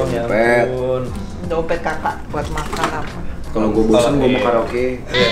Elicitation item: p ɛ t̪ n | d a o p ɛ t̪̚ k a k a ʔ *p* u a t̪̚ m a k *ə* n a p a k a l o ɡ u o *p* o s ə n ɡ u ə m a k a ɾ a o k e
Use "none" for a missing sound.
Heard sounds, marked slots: b, a, b

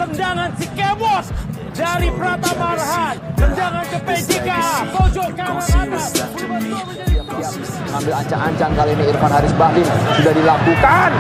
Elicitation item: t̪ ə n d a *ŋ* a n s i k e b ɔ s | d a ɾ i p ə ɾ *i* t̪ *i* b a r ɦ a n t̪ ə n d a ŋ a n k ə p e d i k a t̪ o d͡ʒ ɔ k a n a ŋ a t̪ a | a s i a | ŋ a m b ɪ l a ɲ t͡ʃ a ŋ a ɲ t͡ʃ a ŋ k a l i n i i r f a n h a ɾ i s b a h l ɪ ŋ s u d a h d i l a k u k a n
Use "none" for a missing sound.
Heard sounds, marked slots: ŋ, a, a

